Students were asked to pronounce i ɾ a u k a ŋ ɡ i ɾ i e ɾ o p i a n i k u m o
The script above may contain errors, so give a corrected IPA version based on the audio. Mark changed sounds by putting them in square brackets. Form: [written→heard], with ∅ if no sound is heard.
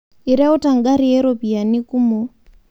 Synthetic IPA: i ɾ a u [k→t] a ŋ ɡ [i→a] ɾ i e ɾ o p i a n i k u m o